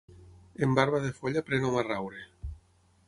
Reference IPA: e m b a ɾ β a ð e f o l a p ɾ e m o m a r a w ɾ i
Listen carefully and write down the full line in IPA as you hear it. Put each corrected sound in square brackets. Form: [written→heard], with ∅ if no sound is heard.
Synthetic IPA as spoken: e m b a ɾ β a ð e f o [l→ʎ] a p ɾ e [m→n] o m a r a w ɾ [i→e]